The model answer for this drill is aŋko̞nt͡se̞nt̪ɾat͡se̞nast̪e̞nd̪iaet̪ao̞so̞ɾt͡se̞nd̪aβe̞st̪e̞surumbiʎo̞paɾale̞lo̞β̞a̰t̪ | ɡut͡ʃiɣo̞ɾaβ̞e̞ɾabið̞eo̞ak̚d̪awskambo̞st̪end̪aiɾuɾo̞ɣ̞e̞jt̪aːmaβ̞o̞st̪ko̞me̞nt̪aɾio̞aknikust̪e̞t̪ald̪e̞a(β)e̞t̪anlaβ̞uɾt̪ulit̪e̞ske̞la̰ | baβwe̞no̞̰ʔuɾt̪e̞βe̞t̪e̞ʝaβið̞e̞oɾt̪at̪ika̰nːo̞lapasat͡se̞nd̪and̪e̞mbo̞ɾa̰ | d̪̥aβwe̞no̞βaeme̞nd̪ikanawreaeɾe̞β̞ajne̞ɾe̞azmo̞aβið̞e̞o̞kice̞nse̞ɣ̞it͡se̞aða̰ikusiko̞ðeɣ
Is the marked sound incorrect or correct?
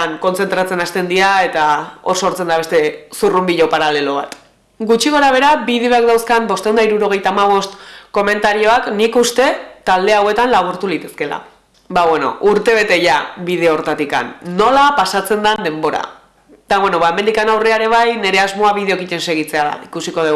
incorrect: w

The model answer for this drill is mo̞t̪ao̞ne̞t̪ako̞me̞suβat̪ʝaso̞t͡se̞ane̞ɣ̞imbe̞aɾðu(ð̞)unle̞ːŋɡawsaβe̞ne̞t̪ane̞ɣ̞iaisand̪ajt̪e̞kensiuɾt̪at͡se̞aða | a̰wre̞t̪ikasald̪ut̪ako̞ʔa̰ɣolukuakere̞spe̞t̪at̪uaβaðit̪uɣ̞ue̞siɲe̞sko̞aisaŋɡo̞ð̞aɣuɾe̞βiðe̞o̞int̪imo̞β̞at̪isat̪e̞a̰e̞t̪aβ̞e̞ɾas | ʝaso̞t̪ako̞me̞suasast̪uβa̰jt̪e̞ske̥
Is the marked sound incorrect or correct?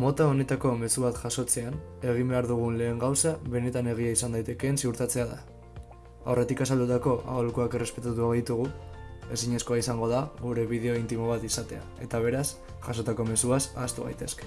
incorrect: ɣ̞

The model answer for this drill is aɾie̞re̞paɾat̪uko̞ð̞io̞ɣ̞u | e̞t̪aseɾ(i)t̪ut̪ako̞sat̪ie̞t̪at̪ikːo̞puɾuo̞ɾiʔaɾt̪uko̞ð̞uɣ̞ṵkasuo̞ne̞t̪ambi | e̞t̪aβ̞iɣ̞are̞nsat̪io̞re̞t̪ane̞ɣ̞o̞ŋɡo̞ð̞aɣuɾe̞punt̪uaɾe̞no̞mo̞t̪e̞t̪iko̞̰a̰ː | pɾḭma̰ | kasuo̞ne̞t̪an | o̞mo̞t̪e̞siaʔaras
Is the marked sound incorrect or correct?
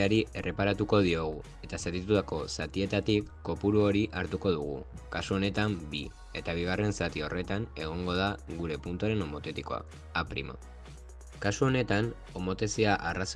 correct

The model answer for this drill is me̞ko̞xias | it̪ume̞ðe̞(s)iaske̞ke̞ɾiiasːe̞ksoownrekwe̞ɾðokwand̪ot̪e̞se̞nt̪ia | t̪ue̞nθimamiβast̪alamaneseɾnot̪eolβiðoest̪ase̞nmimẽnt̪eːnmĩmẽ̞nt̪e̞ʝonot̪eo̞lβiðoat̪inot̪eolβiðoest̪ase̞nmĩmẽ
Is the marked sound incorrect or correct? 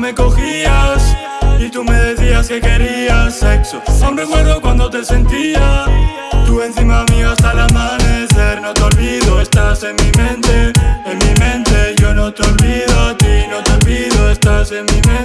incorrect: θ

